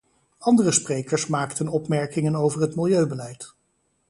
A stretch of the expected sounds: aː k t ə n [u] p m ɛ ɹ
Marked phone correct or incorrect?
incorrect